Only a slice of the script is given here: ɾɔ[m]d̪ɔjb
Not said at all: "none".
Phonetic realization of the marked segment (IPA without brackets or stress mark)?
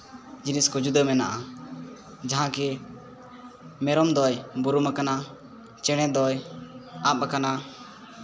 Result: m